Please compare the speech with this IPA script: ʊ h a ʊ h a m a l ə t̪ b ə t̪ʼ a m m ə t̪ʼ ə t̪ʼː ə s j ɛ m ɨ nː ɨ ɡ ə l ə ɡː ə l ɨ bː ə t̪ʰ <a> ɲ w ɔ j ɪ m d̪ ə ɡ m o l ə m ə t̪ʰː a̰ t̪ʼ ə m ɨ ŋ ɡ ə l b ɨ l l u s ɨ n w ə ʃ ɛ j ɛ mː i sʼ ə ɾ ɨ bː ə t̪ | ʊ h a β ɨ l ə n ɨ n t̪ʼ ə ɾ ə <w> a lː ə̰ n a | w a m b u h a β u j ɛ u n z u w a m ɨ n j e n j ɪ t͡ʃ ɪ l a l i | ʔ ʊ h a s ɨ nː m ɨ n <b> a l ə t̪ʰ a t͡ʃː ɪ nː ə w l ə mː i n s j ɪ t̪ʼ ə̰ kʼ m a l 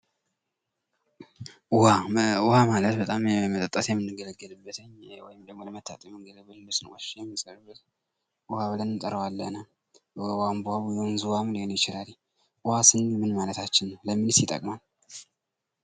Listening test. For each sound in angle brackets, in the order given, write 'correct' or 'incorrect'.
incorrect: ə, correct, incorrect: m

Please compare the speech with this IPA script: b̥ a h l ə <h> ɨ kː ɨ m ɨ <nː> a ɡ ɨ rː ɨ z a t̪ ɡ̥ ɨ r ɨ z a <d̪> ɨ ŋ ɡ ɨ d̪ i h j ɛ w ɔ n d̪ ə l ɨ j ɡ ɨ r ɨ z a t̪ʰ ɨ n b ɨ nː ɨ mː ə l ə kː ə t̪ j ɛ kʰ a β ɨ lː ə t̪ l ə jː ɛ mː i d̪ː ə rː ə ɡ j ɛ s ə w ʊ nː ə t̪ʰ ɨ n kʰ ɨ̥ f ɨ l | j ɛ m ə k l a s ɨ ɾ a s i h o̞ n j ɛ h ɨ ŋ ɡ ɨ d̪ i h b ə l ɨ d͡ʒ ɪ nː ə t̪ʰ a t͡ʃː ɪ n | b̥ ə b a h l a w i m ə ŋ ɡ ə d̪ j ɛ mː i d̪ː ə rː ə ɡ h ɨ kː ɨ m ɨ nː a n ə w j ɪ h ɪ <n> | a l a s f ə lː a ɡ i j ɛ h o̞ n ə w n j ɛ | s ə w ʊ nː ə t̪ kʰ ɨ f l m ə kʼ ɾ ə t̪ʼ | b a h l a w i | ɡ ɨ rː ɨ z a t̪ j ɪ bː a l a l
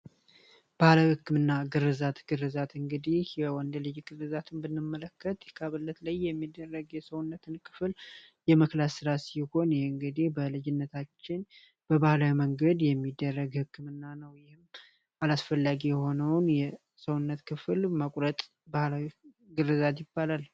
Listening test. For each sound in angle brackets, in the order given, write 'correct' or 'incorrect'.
correct, correct, incorrect: t̪, incorrect: m

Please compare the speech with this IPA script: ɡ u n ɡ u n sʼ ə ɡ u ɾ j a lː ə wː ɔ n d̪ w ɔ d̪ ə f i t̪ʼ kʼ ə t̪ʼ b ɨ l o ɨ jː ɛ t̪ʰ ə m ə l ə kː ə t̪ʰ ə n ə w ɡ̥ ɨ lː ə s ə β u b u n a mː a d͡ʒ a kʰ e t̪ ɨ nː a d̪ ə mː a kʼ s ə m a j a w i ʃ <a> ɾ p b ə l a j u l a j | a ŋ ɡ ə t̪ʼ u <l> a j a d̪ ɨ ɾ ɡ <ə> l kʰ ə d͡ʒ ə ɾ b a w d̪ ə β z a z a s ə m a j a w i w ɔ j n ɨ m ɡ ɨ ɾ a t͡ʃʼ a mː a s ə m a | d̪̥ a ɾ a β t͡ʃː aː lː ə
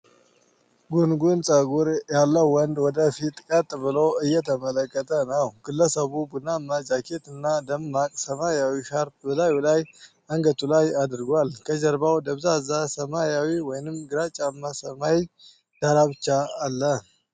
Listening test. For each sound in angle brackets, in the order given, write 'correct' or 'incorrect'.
correct, correct, incorrect: a

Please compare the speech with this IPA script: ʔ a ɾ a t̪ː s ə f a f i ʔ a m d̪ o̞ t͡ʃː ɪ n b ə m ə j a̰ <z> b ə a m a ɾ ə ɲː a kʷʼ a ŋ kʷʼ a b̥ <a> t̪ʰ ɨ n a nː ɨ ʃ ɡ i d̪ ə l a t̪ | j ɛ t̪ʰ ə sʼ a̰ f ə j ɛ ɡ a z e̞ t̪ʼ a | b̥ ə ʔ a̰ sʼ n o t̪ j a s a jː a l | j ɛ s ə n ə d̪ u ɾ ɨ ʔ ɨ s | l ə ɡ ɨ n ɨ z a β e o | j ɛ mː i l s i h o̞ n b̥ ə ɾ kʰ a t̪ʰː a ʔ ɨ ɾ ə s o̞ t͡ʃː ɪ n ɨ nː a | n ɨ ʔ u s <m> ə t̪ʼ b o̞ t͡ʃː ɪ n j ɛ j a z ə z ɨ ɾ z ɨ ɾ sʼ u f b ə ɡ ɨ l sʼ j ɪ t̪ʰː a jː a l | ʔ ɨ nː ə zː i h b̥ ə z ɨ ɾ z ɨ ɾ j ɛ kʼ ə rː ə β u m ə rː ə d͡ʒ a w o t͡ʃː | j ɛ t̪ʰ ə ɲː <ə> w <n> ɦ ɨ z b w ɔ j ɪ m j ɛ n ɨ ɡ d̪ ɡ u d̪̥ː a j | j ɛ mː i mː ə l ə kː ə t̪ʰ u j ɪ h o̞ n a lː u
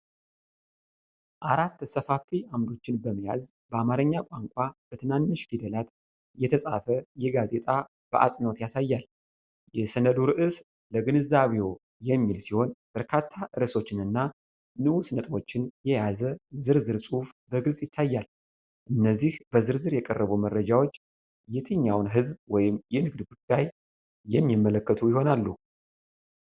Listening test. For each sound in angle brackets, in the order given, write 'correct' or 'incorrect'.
correct, incorrect: ə, incorrect: n, incorrect: a, correct

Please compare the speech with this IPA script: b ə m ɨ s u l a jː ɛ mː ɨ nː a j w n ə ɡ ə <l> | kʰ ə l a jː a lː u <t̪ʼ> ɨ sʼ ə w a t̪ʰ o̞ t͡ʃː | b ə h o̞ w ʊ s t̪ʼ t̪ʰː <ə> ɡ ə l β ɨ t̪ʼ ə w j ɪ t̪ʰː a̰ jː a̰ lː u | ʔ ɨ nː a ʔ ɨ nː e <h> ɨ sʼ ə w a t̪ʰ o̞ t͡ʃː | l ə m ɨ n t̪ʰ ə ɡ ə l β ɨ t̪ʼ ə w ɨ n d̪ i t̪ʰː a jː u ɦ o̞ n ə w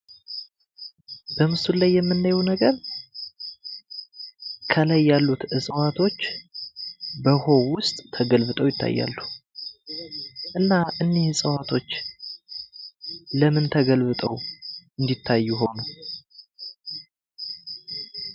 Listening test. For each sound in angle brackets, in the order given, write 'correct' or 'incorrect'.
incorrect: ɾ, incorrect: t̪, correct, correct

